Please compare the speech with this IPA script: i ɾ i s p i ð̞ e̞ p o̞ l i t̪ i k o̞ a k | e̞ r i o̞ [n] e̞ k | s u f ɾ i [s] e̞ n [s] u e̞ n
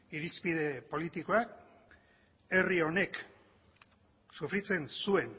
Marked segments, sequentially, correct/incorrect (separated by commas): correct, incorrect, correct